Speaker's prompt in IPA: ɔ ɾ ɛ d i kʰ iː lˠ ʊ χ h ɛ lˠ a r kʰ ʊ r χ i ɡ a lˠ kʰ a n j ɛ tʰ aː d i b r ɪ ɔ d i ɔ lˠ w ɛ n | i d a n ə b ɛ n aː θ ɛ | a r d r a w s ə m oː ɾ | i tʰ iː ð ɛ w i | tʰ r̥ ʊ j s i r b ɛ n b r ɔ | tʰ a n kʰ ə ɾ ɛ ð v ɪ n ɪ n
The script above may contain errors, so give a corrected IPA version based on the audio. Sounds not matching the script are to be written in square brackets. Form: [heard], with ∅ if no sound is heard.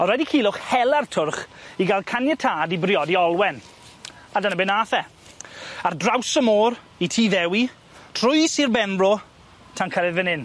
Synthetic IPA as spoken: ɔ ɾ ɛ d i kʰ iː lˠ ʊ χ h ɛ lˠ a r [tʰ] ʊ r χ i ɡ a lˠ kʰ a n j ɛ tʰ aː d i b r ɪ ɔ d i ɔ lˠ w ɛ n | [a] d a n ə b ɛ n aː θ ɛ | a r d r a w s ə m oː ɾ | i tʰ iː ð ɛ w i | tʰ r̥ ʊ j s i r b ɛ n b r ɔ | tʰ a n kʰ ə ɾ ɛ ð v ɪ n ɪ n